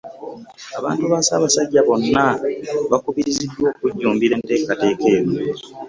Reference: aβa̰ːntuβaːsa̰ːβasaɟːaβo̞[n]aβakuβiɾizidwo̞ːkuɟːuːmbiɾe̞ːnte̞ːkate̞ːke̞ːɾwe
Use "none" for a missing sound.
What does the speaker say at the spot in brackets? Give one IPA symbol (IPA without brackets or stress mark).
nː